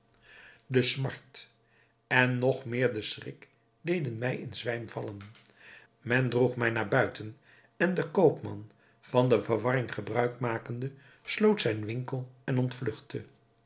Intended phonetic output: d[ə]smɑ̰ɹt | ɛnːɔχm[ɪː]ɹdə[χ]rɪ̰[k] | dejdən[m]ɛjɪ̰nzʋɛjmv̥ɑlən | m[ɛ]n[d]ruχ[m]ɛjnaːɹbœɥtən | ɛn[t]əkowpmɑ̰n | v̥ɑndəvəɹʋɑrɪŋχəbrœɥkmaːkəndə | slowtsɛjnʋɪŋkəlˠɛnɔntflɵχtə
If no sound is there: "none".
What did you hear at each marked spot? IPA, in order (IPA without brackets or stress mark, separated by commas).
ə, ɪː, s, k, m, ɛ, d, m, d